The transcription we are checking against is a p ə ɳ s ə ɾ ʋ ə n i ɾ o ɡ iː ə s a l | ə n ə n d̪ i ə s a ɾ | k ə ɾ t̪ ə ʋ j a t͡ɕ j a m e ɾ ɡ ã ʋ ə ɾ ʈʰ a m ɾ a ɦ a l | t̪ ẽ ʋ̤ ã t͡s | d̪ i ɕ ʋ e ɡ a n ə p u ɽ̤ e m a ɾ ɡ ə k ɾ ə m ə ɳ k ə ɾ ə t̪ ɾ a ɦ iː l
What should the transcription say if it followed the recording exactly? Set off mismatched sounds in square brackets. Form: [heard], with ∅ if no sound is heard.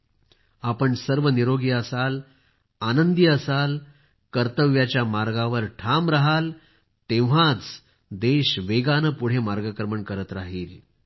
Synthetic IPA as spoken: a p ə ɳ s ə ɾ ʋ ə n i ɾ o ɡ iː ə s a l | [a] n ə n d̪ i ə s a [l] | k ə ɾ t̪ ə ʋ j a t͡ɕ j a m [a] ɾ ɡ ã ʋ ə ɾ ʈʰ a m ɾ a ɦ a l | t̪ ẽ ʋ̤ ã t͡s | d̪ [e] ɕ ʋ e ɡ a n ə p u ɽ̤ e m a ɾ ɡ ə k ɾ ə m ə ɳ k ə ɾ ə t̪ ɾ a ɦ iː l